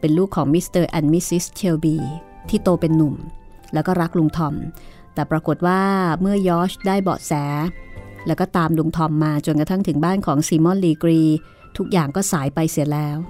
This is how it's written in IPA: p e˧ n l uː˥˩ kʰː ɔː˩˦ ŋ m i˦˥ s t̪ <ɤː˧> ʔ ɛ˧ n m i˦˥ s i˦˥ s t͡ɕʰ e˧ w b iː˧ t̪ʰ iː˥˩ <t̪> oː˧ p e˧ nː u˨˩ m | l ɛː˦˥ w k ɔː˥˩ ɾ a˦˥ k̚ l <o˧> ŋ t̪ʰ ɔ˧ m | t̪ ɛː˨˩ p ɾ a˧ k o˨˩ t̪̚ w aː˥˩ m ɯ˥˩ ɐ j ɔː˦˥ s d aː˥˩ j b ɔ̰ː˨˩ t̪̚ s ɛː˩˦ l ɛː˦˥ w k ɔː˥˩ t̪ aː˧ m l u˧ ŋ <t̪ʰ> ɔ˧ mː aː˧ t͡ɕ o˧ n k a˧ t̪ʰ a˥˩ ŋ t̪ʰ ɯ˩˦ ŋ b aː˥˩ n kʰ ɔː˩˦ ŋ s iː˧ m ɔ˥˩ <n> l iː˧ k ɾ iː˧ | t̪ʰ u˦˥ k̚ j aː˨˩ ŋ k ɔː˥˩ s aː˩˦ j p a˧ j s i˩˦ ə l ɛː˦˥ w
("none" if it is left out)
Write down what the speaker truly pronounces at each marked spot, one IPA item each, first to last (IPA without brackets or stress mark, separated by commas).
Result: ɤː˧, t̪, u˧, t̪ʰ, n